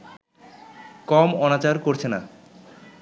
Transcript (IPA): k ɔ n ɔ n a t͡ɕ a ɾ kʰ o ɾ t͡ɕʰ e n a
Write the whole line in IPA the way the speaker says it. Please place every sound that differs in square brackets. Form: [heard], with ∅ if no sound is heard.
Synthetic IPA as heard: k ɔ [m] ɔ n a t͡ɕ a ɾ [k] o ɾ t͡ɕʰ e n a